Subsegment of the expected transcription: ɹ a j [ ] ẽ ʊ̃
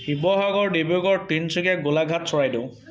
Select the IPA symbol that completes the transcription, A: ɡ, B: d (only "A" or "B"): B